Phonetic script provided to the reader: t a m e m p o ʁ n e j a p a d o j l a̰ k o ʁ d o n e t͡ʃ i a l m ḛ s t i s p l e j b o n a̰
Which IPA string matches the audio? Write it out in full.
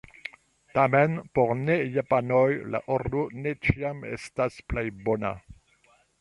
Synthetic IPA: t a m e n p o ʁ n e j a p a n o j l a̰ ʔ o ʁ d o n e t͡ʃ i a m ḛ s t a s p l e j b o n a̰

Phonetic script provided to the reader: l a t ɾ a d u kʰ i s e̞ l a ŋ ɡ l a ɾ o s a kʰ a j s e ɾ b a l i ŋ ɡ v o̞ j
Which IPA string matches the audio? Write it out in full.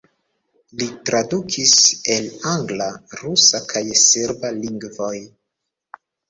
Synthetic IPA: l i t ɾ a d u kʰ i s e̞ l a ŋ ɡ l a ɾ u s a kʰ a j s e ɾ b a l i ŋ ɡ v o̞ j

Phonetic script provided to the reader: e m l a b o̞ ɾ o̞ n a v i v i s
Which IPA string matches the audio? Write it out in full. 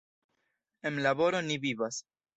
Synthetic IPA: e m l a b o̞ ɾ o̞ n i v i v a s

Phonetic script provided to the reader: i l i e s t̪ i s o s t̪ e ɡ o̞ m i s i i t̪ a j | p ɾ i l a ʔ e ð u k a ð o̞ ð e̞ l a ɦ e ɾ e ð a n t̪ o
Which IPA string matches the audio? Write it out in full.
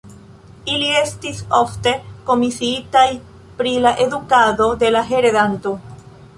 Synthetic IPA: i l i e s t̪ i s o f t̪ e k o̞ m i s i i t̪ a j | p ɾ i l a ʔ e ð u k a ð o̞ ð e̞ l a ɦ e ɾ e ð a n t̪ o

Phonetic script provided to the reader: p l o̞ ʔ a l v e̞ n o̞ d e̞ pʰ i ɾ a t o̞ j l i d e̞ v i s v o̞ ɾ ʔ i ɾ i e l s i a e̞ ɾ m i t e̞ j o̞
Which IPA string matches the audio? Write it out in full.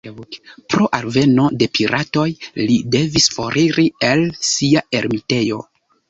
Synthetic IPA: p ɾ o̞ ʔ a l v e̞ n o̞ d e̞ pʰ i ɾ a t o̞ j l i d e̞ v i s f o̞ ɾ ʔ i ɾ i e l s i a e̞ ɾ m i t e̞ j o̞

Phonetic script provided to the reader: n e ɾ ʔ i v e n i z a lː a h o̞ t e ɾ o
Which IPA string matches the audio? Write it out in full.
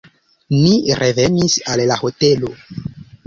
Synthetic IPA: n i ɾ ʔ e v e n i s a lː a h o̞ t e l o

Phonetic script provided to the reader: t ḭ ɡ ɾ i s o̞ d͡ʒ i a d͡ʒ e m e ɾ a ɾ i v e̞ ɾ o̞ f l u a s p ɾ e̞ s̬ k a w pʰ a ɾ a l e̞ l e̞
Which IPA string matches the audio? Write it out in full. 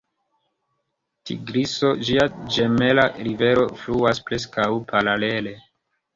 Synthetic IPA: t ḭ ɡ ɾ i s o̞ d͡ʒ i a d͡ʒ e m e l a ɾ i v e̞ ɾ o̞ f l u a s p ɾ e̞ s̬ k a w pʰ a ɾ a l e̞ l e̞

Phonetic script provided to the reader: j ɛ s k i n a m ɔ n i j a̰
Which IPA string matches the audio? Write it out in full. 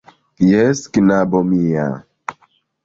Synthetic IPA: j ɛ s k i n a b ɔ m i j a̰

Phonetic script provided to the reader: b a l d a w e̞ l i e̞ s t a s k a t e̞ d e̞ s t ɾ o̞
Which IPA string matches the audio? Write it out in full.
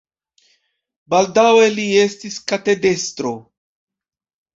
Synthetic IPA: b a l d a w e̞ l i e̞ s t i s k a t e̞ d e̞ s t ɾ o̞

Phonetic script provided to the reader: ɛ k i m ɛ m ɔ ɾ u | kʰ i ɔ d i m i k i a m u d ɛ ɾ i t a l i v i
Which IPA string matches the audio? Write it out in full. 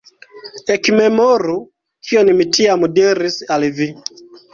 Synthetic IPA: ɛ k i m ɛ m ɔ ɾ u | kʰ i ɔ n i m i t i a m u d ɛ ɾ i s a l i v i

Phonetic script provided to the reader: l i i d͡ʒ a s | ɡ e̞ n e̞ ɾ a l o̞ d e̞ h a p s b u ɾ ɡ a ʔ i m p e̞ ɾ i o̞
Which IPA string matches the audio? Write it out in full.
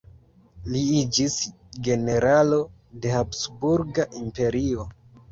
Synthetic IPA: l i i d͡ʒ i s | ɡ e̞ n e̞ ɾ a l o̞ d e̞ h a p s b u ɾ ɡ a ʔ i m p e̞ ɾ i o̞

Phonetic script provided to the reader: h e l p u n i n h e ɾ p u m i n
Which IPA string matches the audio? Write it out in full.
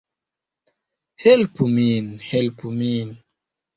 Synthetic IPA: h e l p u m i n h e l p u m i n

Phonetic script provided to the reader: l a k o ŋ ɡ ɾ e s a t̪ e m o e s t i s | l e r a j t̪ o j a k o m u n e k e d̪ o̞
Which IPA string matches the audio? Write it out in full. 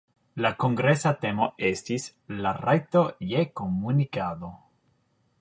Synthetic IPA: l a k o ŋ ɡ ɾ e s a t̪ e m o e s t i s | l a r a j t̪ o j e k o m u n i k a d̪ o̞

